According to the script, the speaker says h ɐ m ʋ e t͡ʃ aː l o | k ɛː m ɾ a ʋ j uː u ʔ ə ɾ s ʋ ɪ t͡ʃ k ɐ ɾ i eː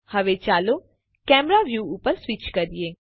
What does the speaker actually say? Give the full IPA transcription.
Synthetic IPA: h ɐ ʋ e t͡ʃ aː l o | k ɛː m ɾ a ʋ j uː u p ə ɾ s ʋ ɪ t͡ʃ k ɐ ɾ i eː